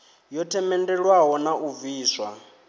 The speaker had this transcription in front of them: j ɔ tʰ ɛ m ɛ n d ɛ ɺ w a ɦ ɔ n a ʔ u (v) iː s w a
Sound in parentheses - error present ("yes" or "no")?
no